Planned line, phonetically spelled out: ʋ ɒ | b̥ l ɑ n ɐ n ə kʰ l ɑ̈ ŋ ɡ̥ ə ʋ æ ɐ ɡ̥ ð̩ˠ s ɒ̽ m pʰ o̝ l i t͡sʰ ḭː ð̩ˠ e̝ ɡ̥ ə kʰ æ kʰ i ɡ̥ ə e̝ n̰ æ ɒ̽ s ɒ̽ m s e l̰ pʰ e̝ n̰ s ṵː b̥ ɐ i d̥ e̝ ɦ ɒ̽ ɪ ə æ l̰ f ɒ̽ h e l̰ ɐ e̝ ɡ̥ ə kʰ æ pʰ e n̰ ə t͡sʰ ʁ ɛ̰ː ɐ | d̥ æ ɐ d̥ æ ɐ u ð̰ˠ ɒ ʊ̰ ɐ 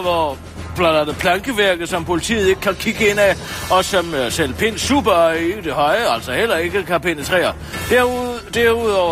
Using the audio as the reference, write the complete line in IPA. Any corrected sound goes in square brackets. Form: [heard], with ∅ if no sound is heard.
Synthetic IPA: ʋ ɒ | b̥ l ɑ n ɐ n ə [pʰ] l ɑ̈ ŋ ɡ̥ ə ʋ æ ɐ ɡ̥ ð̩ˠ s ɒ̽ m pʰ o̝ l i t͡sʰ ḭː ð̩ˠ e̝ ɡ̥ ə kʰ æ kʰ i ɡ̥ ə e̝ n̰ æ ɒ̽ s ɒ̽ m s e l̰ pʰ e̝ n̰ s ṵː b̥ ɐ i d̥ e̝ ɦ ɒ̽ ɪ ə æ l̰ [s] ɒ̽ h e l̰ ɐ e̝ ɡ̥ ə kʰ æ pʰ e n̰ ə t͡sʰ ʁ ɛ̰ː ɐ | d̥ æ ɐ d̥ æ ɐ u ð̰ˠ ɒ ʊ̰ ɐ